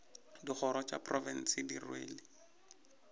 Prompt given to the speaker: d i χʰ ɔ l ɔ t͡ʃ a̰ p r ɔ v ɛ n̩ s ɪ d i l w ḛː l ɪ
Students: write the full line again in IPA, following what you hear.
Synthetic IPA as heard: d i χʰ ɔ ɾ ɔ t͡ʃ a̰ p r ɔ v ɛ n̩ s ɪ d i r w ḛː l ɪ

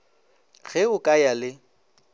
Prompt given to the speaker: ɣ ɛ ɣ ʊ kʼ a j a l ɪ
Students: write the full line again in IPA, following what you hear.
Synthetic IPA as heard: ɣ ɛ ʊ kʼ a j a l ɪ

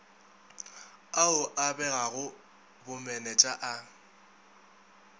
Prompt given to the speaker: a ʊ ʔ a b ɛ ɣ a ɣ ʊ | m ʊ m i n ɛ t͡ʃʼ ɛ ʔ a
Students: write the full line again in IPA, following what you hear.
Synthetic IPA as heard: a ʊ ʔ a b ɛ ɣ a ɣ ʊ | b ʊ m ɛ n ɛ t͡ʃʼ a ʔ a

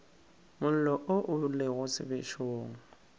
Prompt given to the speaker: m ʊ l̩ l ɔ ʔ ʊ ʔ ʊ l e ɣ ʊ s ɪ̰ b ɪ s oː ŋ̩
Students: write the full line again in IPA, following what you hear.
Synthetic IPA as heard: m ʊ l̩ l ɔ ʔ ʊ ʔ ʊ l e ɣ ʊ s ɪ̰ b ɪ ʃ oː ŋ̩

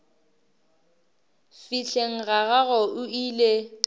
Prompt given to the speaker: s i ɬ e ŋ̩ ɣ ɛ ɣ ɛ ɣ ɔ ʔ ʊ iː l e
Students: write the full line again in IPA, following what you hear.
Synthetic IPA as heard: f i ɬ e ŋ̩ ɣ a ɣ a ɣ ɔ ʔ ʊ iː l e

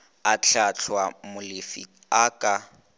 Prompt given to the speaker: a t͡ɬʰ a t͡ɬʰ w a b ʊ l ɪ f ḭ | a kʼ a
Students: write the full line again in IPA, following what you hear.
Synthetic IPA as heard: a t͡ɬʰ a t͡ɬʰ w a m ʊ l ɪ f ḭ | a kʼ a

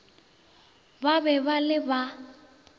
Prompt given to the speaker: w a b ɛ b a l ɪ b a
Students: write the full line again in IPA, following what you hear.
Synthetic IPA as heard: b a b ɛ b a l ɪ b a

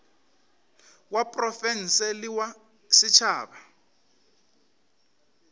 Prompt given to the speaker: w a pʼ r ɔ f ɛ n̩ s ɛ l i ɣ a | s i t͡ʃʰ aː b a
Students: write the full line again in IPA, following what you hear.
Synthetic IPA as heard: w a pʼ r ɔ f ɛ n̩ s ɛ l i w a | s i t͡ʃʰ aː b a

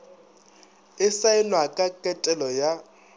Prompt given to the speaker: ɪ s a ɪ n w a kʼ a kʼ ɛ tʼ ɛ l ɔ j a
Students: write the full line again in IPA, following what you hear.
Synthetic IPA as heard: ɪ s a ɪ n w a kʼ a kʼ ɛ tʼ ɛ l ɔ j a

